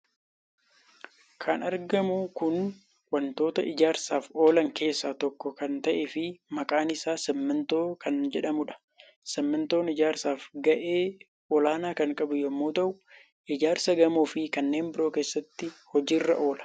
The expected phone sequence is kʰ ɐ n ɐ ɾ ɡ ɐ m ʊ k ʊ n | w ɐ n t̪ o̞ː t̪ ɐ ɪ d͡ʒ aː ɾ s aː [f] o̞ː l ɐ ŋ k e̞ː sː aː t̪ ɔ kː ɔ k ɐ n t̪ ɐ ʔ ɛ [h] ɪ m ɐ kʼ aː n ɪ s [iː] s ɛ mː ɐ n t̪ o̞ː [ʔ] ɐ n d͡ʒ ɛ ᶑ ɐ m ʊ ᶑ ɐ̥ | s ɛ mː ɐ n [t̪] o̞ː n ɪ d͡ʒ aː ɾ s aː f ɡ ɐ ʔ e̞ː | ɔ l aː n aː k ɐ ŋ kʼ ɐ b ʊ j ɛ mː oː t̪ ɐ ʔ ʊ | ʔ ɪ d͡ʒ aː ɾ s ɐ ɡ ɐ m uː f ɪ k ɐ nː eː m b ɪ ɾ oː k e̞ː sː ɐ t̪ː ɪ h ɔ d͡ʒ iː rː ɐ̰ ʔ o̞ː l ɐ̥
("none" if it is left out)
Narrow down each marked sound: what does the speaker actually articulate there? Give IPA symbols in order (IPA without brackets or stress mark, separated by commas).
f, f, aː, k, t̪